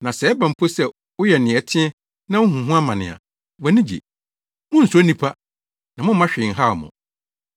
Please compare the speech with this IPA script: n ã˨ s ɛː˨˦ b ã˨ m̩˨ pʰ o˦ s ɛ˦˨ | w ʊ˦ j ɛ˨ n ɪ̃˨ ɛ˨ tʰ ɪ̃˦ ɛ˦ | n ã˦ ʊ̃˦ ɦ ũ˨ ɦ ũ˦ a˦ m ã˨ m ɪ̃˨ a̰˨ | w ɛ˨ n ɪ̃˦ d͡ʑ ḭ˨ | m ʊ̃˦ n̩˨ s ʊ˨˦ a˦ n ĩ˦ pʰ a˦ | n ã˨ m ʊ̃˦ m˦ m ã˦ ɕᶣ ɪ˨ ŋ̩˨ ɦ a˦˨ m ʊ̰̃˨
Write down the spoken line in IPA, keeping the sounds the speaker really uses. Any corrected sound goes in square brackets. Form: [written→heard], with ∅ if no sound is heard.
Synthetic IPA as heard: n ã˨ s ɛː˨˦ b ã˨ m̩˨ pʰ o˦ s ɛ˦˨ | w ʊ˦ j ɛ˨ n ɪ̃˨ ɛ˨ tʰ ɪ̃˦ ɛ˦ | n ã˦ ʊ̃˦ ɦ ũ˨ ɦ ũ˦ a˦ m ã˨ [m→n] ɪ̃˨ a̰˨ | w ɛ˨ n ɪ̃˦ d͡ʑ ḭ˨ | m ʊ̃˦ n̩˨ s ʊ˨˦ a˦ n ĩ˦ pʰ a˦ | n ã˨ m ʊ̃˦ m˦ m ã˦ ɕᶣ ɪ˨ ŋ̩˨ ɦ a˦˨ m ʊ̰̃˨